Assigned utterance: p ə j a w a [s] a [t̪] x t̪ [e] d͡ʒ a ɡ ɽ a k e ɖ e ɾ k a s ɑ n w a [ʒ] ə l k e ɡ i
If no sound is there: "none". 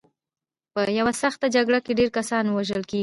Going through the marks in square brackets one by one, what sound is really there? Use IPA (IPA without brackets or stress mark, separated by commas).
s, none, a, ʒ